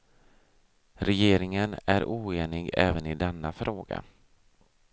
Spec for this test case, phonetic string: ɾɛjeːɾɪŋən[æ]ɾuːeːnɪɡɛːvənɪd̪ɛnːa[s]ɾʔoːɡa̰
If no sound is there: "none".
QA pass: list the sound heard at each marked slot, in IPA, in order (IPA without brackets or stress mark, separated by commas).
æ, f